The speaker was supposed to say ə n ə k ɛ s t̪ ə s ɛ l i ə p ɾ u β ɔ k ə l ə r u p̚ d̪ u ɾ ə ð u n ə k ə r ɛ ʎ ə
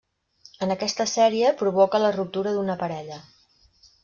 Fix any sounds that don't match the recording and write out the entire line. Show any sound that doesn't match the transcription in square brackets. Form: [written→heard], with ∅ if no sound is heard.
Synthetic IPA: ə n ə k ɛ s t̪ ə s ɛ [l→ɾ] i ə p ɾ u β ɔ k ə l ə r u p̚ [d̪→t̪] u ɾ ə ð u n ə [k→p] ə [r→ɾ] ɛ ʎ ə